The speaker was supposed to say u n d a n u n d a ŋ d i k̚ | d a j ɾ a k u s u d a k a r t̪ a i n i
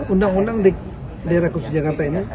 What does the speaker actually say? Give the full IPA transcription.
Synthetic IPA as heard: u n d a ŋ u n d a ŋ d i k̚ | d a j ɾ a k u s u d͡ʒ a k a r t̪ a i n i